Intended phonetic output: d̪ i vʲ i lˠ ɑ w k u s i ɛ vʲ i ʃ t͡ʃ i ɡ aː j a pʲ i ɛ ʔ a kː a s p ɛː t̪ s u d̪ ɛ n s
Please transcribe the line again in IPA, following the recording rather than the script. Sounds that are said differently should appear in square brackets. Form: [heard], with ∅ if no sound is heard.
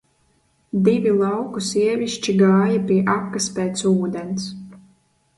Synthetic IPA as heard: d̪ i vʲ i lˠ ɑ w k u s i ɛ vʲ i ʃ t͡ʃ i ɡ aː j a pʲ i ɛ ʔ a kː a s p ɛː t̪ s [uː] d̪ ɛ n s